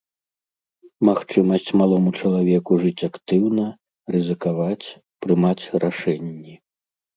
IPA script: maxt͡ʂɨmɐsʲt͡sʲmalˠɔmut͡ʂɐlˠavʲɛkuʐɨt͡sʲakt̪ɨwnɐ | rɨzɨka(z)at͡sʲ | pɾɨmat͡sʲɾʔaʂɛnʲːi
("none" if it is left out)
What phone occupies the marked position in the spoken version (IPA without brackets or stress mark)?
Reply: v